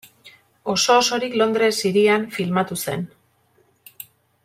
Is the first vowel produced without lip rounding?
no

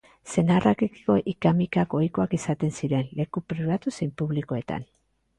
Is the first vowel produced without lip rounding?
yes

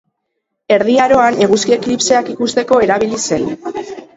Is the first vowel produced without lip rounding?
yes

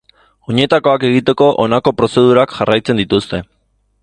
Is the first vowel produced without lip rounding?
no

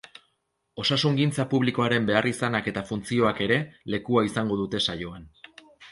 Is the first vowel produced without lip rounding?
no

